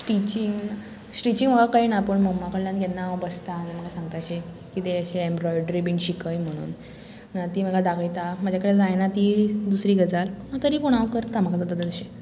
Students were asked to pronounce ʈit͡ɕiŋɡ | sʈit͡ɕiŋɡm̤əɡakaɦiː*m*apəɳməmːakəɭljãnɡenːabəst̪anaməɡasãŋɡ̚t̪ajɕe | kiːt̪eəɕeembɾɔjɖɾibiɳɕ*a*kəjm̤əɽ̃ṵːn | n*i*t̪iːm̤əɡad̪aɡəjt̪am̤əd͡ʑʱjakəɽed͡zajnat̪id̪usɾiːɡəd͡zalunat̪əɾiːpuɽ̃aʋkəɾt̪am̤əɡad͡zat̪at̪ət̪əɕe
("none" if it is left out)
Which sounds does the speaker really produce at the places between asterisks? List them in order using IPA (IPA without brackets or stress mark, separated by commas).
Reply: n, i, a